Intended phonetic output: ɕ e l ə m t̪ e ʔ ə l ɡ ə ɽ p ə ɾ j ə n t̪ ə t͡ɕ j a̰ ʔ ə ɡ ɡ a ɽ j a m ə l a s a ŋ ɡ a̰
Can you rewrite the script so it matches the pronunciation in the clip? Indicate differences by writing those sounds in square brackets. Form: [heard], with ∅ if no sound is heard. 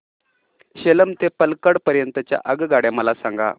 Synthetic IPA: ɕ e l ə m t̪ e [p] ə l [k] ə ɽ p ə ɾ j ə n t̪ ə t͡ɕ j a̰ ʔ ə ɡ ɡ a ɽ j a m ə l a s a ŋ ɡ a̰